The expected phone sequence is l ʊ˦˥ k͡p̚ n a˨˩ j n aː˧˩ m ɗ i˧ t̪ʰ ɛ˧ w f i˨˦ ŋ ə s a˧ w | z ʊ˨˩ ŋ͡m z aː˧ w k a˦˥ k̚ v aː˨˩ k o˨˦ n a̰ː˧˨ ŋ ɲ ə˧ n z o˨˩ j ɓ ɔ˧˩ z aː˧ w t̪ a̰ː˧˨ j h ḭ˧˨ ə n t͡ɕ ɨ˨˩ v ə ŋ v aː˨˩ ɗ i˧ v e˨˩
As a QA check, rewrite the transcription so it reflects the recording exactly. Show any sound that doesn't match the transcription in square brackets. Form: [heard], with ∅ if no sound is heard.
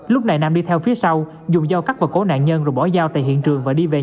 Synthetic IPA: l ʊ˦˥ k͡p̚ n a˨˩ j n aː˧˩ m ɗ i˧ t̪ʰ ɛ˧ w f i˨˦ [∅] ə s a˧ w | z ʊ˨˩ ŋ͡m z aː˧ w k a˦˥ k̚ v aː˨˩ k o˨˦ n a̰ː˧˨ [n] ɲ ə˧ n z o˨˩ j ɓ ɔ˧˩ z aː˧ w t̪ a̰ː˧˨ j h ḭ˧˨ ə n t͡ɕ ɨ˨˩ [∅] ə ŋ v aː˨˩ ɗ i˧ v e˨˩